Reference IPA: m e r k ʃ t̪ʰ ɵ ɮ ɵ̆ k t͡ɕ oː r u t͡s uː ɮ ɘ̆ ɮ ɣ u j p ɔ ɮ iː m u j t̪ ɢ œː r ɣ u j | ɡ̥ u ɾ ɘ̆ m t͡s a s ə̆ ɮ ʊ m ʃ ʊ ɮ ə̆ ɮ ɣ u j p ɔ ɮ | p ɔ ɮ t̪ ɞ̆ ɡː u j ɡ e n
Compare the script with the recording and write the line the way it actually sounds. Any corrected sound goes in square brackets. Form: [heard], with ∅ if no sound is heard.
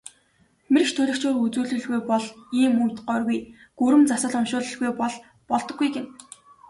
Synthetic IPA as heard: m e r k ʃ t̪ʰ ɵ ɮ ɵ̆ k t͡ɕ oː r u t͡s uː ɮ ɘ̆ ɮ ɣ u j p ɔ ɮ iː m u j t̪ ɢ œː r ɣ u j | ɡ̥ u ɾ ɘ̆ m t͡s a s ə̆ ɮ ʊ m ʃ [ʊː] ɮ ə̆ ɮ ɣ u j p ɔ ɮ | p ɔ ɮ t̪ ɞ̆ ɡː u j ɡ e n

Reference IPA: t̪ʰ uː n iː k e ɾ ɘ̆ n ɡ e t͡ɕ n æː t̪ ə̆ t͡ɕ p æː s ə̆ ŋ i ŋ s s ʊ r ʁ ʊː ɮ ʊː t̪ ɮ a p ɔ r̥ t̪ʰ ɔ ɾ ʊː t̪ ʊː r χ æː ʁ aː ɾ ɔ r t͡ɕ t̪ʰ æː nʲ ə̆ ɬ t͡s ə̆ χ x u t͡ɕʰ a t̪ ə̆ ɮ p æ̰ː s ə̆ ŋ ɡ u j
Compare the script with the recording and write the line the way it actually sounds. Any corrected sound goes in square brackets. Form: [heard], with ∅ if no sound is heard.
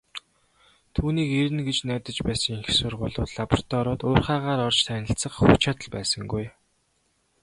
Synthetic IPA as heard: t̪ʰ uː n iː k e ɾ ɘ̆ n ɡ e t͡ɕ n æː t̪ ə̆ t͡ɕ p æː s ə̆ ŋ i ŋ [x] s ʊ r ʁ ʊː ɮ ʊː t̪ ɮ a p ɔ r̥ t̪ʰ ɔ ɾ ʊː t̪ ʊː r χ [aː] ʁ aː ɾ ɔ r t͡ɕ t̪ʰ æː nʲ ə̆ ɬ t͡s ə̆ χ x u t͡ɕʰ a t̪ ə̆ ɮ p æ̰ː s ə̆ ŋ ɡ u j

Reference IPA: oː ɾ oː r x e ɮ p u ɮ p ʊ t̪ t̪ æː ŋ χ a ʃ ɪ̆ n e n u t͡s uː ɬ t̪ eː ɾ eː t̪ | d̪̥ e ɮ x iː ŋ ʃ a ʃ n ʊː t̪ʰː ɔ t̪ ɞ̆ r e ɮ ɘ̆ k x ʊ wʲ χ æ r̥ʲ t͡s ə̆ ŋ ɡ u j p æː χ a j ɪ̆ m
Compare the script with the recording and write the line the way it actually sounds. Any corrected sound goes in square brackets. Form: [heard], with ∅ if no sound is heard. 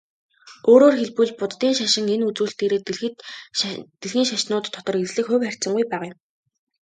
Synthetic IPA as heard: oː ɾ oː r x e ɮ p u ɮ p ʊ t̪ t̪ [iː] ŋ [ʃ] a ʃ ɪ̆ [ŋ] e n u t͡s uː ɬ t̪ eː ɾ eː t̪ | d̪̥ e ɮ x iː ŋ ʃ a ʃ n ʊː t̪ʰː ɔ t̪ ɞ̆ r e ɮ ɘ̆ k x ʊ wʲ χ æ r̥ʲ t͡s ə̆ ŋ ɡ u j p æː [ʁ] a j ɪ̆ m

